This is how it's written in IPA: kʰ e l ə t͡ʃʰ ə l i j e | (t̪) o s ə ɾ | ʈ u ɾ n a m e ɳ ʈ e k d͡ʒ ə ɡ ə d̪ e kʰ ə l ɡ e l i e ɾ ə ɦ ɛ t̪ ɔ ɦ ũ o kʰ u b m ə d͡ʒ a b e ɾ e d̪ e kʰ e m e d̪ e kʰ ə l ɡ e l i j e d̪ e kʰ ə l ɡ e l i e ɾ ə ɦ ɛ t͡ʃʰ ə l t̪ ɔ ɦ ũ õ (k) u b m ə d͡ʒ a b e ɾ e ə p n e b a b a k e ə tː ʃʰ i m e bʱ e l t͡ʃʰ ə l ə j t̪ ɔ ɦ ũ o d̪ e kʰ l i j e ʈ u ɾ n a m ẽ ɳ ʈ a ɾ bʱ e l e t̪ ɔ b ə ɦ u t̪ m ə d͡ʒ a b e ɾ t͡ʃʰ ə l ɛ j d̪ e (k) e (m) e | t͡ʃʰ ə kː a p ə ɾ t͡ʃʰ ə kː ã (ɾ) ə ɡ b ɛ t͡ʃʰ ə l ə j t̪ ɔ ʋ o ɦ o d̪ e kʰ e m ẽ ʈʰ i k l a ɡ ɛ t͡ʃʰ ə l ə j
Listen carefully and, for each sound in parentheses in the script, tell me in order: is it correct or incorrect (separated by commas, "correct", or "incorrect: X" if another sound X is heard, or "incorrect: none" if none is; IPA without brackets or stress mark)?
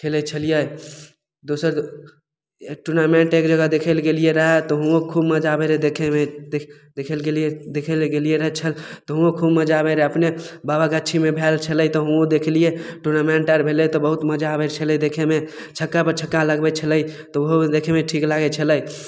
incorrect: d̪, incorrect: kʰ, incorrect: kʰ, correct, incorrect: l